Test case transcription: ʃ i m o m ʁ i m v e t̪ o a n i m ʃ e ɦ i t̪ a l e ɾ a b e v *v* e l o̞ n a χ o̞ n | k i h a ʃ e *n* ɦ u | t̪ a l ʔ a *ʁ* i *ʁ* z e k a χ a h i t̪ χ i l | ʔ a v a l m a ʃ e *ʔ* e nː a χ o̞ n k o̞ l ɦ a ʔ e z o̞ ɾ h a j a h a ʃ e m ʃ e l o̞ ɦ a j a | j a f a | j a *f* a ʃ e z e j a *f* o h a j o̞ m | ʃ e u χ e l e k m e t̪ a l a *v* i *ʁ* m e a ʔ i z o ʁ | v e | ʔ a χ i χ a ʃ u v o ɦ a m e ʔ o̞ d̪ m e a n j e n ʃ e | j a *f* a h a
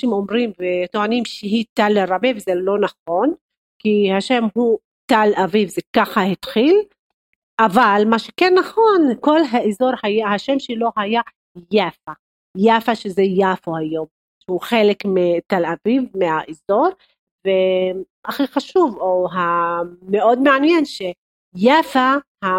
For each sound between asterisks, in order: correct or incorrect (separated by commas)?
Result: incorrect, incorrect, incorrect, incorrect, incorrect, correct, correct, correct, incorrect, correct